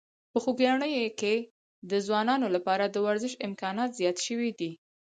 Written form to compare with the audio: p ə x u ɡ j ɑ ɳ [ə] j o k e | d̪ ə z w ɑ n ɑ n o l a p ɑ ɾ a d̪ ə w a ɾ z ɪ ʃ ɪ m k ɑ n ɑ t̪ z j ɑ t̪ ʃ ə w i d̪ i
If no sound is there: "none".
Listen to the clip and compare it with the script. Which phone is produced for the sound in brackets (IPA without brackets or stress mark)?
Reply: ə